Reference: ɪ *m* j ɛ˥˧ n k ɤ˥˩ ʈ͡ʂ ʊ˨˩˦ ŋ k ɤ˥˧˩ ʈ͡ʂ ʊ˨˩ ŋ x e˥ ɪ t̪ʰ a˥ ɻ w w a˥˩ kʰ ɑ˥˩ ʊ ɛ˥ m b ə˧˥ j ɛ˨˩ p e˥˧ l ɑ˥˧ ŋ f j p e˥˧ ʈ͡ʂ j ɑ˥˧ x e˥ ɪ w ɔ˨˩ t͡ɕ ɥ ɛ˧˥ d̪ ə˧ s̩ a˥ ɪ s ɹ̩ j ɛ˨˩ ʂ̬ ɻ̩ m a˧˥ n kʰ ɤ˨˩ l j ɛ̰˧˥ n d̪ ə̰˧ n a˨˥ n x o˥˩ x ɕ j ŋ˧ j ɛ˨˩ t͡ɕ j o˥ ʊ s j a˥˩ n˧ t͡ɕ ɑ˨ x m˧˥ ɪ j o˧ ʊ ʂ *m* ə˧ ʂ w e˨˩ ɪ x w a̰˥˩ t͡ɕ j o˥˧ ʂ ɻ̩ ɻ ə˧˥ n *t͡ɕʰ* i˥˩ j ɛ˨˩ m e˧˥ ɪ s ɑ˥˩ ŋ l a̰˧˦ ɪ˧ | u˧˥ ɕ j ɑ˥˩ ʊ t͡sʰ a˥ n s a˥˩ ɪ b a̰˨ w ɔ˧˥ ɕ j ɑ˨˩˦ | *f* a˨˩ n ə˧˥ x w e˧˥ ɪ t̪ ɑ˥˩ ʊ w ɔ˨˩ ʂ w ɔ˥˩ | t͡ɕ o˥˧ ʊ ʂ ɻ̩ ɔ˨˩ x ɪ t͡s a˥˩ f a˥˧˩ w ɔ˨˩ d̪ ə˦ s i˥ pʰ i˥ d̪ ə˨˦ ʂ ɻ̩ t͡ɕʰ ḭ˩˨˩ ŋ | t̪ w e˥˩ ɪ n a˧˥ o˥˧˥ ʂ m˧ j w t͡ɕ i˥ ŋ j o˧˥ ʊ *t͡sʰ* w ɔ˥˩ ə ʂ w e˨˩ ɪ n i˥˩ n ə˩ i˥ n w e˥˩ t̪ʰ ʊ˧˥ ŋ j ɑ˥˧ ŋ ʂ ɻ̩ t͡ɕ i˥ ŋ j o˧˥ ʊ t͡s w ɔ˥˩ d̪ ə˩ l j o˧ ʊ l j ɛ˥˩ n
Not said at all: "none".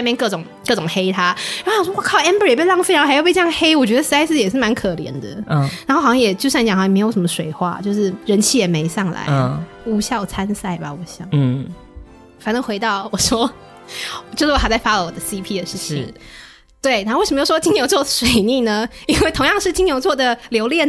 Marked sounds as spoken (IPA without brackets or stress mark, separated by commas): m, m, t͡ɕʰ, f, t͡s